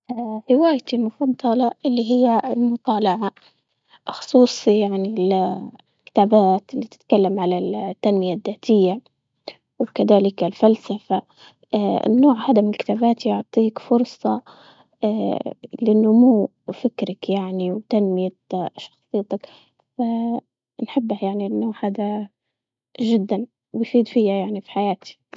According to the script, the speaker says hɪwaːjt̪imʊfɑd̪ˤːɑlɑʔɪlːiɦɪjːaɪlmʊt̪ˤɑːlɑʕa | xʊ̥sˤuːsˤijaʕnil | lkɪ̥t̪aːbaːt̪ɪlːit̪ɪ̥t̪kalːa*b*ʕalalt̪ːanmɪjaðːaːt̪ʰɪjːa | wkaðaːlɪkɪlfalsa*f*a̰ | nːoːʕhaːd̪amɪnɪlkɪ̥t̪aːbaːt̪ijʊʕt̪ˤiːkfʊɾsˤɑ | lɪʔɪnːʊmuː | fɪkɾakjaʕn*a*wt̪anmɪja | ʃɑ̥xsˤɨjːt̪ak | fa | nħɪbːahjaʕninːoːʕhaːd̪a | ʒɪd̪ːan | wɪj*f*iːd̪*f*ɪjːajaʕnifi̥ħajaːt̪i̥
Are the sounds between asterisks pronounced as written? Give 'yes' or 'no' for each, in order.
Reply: no, yes, no, yes, yes

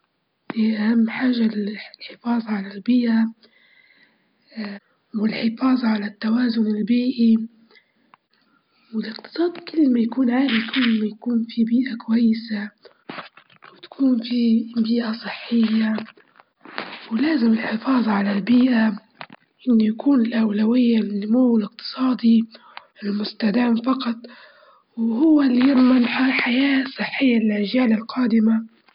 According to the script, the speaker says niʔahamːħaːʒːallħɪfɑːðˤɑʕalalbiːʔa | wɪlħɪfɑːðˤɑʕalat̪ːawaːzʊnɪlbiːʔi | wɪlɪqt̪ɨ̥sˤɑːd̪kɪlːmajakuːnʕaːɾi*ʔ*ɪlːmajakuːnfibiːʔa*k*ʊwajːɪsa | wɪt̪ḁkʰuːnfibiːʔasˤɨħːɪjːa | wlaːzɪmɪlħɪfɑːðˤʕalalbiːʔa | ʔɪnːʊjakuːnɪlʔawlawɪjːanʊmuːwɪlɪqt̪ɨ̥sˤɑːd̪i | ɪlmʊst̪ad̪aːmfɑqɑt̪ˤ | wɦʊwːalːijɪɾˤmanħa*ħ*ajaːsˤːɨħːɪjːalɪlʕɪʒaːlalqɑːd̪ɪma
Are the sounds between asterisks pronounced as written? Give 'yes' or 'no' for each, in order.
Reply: no, yes, yes

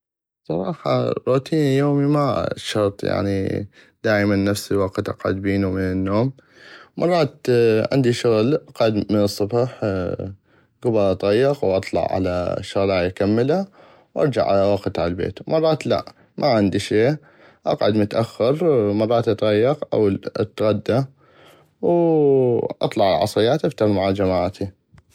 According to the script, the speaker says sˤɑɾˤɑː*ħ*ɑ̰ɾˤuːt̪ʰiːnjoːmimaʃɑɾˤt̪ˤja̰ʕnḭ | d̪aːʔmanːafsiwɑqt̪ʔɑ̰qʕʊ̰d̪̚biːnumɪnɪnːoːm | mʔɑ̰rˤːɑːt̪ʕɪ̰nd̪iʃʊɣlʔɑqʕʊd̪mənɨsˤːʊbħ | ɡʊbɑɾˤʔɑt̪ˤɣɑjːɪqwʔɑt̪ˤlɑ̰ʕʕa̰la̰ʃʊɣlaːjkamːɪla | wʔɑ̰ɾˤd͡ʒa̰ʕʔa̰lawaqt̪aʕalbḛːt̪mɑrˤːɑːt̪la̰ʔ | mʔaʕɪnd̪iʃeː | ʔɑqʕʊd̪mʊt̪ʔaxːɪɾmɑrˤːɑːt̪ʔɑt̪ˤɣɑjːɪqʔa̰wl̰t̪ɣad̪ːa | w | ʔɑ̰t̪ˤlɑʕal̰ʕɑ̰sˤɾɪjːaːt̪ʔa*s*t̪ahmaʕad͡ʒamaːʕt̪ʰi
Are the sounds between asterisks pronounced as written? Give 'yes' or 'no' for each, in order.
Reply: yes, no

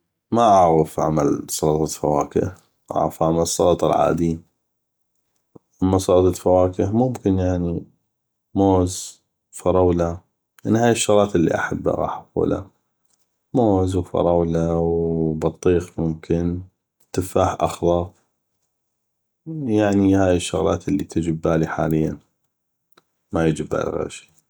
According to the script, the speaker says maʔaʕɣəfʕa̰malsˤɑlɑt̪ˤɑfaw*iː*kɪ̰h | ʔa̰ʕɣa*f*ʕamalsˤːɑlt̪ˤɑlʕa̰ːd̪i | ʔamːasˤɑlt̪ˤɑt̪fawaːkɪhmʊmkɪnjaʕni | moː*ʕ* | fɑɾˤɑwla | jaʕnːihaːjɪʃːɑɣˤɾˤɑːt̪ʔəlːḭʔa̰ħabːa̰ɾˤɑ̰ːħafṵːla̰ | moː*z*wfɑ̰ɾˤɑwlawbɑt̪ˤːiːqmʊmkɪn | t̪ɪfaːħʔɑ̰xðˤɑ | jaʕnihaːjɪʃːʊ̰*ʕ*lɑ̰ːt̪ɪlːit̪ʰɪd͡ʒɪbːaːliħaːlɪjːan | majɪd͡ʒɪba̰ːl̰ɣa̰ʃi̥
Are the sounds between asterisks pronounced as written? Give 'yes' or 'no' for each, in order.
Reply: no, yes, no, yes, no

